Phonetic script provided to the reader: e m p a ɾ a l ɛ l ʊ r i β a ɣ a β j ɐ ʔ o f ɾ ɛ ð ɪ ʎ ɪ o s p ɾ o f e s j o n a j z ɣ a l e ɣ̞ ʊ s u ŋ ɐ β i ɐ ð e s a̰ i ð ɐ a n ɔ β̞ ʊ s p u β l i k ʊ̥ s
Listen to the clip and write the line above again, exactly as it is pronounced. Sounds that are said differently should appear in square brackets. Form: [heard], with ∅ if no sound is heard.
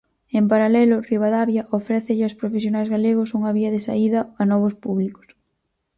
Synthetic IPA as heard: e m p a ɾ a l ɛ l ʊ r i β a [ð] a β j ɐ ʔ o f ɾ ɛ [θ] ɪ ʎ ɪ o s p ɾ o f e s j o n a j z ɣ a l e ɣ̞ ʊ s u ŋ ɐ β i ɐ ð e s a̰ i ð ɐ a n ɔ β̞ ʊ s p u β l i k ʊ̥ s